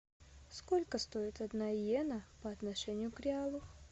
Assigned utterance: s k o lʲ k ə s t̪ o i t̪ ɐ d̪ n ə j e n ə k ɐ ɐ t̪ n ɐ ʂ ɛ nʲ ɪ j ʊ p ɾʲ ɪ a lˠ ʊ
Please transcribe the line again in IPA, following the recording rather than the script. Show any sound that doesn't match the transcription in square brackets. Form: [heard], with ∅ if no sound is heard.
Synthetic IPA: s k o lʲ k ə s t̪ o [ɪ] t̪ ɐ d̪ n [a] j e n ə [p] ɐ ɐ t̪ n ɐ ʂ ɛ nʲ ɪ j ʊ [k] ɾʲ ɪ a lˠ ʊ